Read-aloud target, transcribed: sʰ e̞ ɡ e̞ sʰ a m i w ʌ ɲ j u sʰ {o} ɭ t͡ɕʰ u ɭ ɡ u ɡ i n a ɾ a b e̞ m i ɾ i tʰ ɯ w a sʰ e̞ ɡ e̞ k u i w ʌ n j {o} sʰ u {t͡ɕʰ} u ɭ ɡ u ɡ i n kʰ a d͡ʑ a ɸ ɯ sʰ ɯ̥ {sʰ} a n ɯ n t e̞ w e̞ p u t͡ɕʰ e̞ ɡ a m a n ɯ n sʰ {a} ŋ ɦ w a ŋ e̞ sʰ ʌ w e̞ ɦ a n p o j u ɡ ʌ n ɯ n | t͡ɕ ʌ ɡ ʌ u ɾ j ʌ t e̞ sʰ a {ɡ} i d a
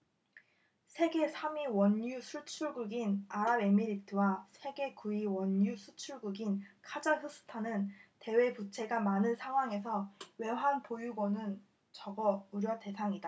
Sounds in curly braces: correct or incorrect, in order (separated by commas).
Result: incorrect, incorrect, correct, incorrect, correct, incorrect